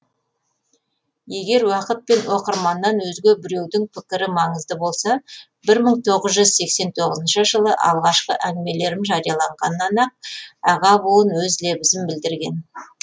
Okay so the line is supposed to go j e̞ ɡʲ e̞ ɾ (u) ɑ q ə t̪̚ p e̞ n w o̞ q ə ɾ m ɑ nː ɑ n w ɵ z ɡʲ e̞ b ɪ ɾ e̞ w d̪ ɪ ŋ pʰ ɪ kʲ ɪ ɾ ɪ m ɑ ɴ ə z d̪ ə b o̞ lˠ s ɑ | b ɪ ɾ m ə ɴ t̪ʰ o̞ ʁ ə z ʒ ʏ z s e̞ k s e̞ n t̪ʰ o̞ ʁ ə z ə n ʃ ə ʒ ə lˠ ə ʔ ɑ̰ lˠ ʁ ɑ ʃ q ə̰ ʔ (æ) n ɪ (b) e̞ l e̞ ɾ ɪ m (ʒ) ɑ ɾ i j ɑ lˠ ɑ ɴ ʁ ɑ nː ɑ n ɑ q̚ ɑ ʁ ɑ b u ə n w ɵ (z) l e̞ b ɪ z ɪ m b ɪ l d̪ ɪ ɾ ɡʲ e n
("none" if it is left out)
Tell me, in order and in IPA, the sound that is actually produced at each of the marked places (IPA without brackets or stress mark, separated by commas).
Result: w, æ, m, ʒ, z